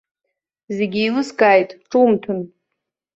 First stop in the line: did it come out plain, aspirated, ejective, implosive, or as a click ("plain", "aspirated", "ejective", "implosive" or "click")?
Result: plain